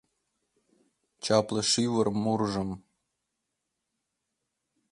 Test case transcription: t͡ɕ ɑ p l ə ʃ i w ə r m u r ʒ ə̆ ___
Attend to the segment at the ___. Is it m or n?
m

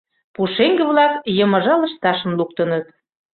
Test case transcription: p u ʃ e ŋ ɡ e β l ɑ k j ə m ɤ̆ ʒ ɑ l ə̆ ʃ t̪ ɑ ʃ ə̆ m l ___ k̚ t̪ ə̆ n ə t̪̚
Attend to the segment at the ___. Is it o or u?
u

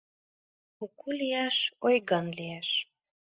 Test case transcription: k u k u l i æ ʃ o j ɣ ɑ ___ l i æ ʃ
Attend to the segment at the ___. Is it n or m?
n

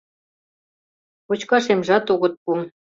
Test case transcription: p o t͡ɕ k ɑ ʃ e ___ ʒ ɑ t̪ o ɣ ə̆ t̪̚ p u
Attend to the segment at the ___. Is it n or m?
m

